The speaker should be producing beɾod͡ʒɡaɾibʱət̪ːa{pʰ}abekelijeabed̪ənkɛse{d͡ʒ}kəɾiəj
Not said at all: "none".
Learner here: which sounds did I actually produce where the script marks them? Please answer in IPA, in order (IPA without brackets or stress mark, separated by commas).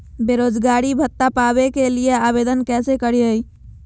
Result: p, none